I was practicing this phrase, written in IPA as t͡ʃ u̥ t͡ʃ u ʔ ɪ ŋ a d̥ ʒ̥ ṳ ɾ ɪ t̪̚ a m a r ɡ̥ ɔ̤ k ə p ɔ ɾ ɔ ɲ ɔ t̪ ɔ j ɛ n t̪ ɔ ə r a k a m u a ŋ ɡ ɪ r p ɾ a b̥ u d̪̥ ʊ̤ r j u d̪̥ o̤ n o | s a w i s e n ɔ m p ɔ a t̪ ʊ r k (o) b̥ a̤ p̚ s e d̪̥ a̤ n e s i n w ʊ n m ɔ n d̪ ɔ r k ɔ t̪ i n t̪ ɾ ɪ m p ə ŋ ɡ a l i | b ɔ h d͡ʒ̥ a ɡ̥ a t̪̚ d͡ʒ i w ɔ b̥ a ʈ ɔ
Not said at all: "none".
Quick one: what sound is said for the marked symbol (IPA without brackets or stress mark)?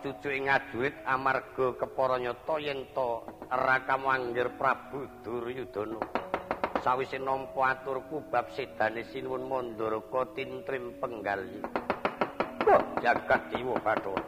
u